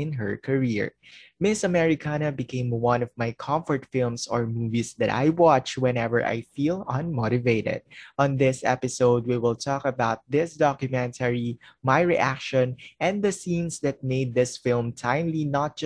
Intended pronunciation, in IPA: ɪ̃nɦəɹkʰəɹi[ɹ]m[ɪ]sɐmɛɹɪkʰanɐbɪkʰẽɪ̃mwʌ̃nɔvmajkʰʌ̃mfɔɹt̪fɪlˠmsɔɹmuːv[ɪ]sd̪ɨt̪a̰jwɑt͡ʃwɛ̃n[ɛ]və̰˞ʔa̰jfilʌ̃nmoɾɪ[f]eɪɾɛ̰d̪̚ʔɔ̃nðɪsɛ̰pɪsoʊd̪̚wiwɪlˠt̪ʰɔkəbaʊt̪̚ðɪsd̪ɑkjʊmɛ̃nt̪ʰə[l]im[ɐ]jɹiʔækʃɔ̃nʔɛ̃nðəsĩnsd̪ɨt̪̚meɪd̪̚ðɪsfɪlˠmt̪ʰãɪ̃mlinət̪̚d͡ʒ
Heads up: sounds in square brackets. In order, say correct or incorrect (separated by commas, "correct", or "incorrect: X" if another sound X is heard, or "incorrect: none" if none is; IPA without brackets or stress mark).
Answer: correct, correct, incorrect: i, correct, incorrect: v, incorrect: ɹ, incorrect: a